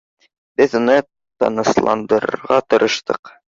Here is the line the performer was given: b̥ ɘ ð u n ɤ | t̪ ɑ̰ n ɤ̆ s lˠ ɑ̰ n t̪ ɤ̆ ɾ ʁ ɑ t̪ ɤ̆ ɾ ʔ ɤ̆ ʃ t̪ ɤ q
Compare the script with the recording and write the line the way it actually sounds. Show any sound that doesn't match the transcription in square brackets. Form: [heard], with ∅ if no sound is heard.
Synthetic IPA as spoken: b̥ ɘ ð u n ɤ | t̪ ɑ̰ n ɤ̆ s lˠ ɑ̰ n [d̪] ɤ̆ ɾ ʁ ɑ t̪ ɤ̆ ɾ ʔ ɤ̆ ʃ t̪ ɤ q

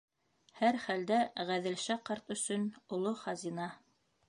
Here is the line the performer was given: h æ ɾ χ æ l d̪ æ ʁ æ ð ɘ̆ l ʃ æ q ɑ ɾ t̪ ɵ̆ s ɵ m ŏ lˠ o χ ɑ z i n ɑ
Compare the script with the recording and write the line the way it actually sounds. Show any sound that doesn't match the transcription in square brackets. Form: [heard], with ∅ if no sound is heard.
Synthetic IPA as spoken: h æ ɾ χ æ l d̪ æ ʁ æ ð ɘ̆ l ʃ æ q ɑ ɾ t̪ ɵ̆ s ɵ [n] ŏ lˠ o χ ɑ z i n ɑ

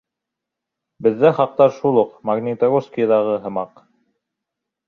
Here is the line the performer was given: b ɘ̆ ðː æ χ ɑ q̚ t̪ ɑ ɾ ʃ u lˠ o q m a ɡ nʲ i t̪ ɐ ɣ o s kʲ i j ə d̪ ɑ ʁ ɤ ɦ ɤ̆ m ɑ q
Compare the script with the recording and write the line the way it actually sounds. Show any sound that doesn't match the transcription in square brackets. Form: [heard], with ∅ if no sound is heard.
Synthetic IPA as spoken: b ɘ̆ ðː æ χ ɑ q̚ t̪ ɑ ɾ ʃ u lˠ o q m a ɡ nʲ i t̪ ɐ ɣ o s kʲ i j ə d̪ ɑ ʁ ɤ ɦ ɤ̆ m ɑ q

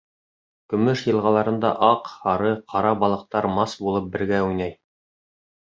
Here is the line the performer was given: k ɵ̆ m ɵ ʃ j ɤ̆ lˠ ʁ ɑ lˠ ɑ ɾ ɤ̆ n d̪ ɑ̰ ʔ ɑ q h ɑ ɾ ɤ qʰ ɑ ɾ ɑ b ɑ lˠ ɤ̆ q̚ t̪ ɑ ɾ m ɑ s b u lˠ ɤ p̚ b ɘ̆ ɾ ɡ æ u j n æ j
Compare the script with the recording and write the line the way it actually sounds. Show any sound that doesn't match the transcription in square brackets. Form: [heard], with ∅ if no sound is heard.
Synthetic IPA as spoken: k ɵ̆ m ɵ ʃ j ɤ̆ lˠ ʁ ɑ lˠ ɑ ɾ ɤ̆ n d̪ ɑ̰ ʔ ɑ q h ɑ ɾ ɤ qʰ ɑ ɾ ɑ b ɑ lˠ ɤ̆ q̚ t̪ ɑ ɾ m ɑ s b u lˠ ɤ p̚ b ɘ̆ ɾ ɡ æ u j n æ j

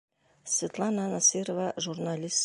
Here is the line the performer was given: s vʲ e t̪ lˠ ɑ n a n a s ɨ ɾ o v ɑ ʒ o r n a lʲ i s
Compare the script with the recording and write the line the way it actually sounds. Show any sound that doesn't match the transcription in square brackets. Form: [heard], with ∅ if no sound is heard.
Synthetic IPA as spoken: s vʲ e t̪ lˠ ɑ n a n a s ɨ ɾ o v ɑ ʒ [u] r n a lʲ i s

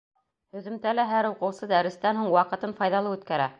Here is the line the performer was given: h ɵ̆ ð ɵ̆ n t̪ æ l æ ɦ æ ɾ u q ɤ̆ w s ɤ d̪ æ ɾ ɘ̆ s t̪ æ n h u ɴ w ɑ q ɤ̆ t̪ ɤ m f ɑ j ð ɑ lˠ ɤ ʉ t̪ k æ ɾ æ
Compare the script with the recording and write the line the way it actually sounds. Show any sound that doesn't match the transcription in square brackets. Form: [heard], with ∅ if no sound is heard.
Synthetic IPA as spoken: h ɵ̆ ð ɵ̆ [m] t̪ æ l æ ɦ æ ɾ u q ɤ̆ w s ɤ d̪ æ ɾ ɘ̆ s t̪ æ n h u ɴ w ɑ q ɤ̆ t̪ ɤ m f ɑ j ð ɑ lˠ ɤ ʉ t̪ k æ ɾ æ

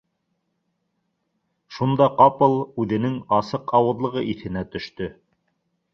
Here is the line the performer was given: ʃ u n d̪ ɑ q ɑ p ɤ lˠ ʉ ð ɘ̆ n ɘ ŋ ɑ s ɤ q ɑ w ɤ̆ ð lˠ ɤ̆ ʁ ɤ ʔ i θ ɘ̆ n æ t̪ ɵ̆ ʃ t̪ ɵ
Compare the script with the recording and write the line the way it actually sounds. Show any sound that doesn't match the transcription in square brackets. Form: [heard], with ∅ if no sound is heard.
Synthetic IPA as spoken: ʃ u n d̪ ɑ q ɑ p ɤ lˠ ʉ ð ɘ̆ n ɘ ŋ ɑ s ɤ q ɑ w ɤ̆ ð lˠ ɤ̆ ʁ ɤ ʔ i θ ɘ̆ n æ t̪ ɵ̆ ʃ t̪ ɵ

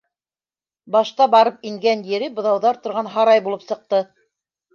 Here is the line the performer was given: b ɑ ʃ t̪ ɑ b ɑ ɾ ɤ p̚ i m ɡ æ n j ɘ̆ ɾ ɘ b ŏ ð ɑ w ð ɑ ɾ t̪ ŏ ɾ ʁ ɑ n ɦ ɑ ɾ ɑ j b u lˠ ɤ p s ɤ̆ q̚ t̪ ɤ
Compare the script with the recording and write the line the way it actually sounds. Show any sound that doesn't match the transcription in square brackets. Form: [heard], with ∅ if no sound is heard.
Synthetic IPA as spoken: b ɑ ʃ t̪ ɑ b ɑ ɾ ɤ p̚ i [ŋ] ɡ æ n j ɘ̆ ɾ ɘ b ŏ ð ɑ w ð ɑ ɾ t̪ ŏ ɾ ʁ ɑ n ɦ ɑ ɾ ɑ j b u lˠ ɤ p s ɤ̆ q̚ t̪ ɤ

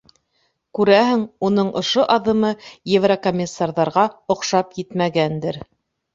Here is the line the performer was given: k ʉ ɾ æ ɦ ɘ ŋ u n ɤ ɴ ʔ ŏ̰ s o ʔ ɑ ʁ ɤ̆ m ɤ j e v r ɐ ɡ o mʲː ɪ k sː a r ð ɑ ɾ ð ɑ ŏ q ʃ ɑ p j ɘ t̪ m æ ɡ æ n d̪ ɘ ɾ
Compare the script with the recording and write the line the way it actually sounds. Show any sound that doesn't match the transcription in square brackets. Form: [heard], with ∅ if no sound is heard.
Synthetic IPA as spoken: k ʉ ɾ æ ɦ ɘ ŋ u n ɤ ɴ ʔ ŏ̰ [ʃ] o ʔ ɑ [ð] ɤ̆ m ɤ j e v r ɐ [k] o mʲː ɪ [∅] sː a r ð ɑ ɾ [ʁ] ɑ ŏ q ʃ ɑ p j ɘ t̪ m æ ɡ æ n d̪ ɘ ɾ

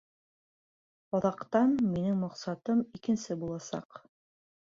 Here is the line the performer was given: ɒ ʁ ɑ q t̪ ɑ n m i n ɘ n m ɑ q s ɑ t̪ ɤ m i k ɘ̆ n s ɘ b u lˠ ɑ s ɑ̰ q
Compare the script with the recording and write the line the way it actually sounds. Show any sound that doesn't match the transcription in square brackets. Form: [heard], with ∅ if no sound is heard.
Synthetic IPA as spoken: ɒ [ð] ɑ q t̪ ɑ n m i n ɘ [ŋ] m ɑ q s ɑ t̪ ɤ m i k ɘ̆ n s ɘ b u lˠ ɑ s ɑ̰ q

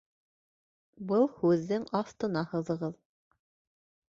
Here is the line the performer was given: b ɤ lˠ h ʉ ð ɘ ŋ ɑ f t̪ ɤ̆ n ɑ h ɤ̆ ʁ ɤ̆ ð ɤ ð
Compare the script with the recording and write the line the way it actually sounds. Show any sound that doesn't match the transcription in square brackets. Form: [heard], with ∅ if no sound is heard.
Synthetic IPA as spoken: b ɤ lˠ h ʉ [ðː] ɘ ŋ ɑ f t̪ ɤ̆ n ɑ h ɤ̆ [ð] ɤ̆ [ʁ] ɤ ð

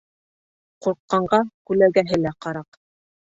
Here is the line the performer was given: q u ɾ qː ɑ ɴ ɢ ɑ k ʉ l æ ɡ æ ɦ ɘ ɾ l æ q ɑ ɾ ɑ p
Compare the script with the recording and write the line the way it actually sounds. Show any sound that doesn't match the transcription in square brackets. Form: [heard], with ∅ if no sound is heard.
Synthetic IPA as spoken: q u ɾ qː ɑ ɴ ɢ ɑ k ʉ l æ ɡ æ ɦ ɘ [∅] l æ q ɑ ɾ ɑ [q]

